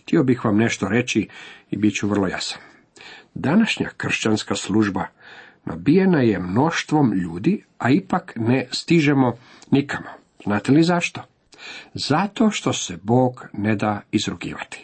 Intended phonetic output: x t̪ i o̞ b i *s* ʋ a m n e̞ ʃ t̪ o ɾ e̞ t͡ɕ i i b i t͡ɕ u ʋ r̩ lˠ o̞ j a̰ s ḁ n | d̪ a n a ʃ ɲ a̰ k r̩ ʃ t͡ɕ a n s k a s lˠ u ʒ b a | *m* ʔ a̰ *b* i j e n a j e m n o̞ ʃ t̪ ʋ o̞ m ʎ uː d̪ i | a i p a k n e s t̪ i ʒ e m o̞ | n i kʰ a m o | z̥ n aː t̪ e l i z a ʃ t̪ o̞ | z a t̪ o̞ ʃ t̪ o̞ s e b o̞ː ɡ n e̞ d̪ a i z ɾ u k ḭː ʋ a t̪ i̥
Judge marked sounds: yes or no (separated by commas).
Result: no, no, yes